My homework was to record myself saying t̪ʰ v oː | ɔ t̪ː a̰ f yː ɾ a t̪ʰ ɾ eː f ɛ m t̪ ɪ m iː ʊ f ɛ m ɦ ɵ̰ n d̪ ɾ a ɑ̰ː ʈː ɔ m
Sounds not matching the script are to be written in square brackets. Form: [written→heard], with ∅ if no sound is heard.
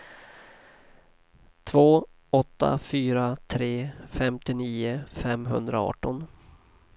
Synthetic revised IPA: t̪ʰ v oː | ɔ t̪ː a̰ f yː ɾ a t̪ʰ ɾ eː f ɛ m t̪ ɪ [m→n] iː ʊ f ɛ m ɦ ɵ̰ n d̪ ɾ a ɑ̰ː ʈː ɔ [m→n]